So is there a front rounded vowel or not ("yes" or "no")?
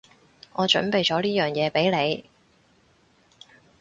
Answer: yes